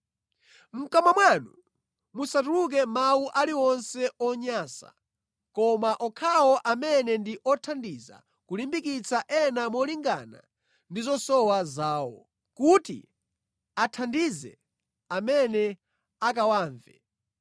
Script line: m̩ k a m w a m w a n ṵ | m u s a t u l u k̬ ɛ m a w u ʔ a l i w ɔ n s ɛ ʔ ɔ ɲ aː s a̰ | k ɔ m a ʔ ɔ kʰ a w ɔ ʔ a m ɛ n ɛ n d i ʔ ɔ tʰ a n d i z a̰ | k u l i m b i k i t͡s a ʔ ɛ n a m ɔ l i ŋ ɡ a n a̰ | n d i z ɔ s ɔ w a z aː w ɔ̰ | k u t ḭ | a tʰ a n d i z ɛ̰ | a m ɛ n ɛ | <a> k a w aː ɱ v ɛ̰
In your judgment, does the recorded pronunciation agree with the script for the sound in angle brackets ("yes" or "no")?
yes